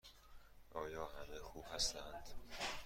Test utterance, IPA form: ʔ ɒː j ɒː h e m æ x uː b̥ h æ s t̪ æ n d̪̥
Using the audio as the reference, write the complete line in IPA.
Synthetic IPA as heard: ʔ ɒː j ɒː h æ m e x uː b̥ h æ s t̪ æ n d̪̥